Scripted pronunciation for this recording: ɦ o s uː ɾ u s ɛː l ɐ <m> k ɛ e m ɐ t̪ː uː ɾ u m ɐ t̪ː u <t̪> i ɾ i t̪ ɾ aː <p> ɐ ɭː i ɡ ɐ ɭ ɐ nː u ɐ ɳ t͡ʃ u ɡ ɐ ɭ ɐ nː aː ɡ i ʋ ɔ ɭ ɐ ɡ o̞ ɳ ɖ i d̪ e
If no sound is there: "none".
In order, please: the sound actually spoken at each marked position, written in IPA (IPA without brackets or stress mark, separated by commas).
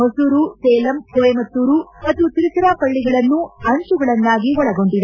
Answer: m, t̪, p